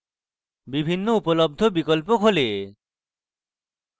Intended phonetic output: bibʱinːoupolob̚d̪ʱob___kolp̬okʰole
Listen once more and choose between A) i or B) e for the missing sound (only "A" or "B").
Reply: A